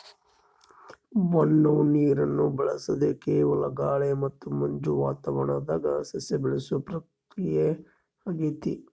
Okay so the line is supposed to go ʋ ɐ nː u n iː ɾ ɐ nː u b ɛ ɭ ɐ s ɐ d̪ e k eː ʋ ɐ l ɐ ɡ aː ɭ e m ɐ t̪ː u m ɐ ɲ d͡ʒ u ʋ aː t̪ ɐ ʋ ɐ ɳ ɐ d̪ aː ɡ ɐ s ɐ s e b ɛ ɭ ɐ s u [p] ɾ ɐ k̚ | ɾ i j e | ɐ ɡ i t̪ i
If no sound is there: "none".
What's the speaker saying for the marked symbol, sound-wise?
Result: p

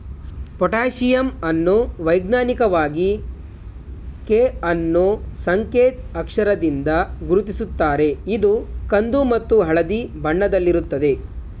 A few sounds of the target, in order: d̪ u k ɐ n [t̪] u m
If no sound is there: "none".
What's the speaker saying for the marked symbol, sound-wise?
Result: d̪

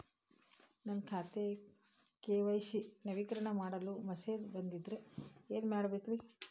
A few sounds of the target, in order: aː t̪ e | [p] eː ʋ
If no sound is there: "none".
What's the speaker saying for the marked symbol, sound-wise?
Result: k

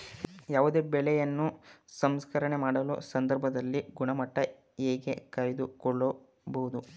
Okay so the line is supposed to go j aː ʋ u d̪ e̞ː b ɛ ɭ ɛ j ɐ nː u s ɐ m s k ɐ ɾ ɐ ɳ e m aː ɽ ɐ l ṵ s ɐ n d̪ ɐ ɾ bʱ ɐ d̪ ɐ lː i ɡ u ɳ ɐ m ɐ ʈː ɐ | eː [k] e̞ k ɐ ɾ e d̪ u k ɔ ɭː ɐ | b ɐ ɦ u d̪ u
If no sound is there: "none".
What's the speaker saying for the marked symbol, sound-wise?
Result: ɡ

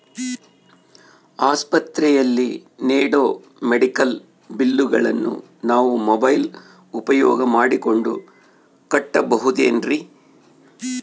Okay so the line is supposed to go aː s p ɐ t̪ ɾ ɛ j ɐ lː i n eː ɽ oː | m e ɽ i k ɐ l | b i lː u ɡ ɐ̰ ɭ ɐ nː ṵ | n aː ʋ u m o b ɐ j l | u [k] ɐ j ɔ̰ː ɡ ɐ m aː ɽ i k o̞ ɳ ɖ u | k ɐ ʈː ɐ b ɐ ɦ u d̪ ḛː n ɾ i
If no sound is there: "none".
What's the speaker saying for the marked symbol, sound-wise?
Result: p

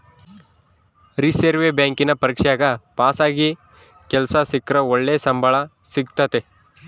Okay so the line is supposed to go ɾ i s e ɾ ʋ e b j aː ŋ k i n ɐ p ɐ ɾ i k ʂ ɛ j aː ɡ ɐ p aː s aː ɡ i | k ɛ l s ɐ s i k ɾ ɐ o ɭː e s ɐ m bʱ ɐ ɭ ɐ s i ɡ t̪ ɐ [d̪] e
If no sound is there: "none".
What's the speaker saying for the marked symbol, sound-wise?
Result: t̪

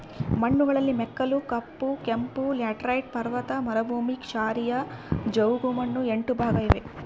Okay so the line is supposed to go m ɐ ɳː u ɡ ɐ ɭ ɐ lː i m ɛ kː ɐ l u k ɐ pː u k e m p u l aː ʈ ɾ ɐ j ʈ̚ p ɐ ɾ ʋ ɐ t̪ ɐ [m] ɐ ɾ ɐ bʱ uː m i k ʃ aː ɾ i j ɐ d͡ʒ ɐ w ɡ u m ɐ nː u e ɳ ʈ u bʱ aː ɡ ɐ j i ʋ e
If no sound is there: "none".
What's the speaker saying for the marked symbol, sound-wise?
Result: m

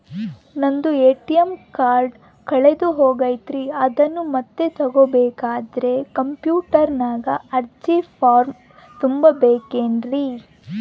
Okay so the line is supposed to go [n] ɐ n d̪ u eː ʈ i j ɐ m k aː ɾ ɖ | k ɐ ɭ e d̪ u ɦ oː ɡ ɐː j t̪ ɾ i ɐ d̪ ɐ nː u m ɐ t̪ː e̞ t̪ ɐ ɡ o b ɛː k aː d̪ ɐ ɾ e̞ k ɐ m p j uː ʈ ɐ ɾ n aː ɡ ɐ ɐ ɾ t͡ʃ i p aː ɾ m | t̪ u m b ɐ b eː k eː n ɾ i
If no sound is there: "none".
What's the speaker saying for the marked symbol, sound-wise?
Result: n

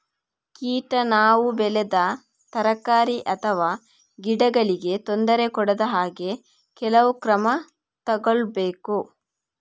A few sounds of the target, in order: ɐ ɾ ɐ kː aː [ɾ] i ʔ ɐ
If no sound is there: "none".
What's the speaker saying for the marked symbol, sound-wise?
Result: ɾ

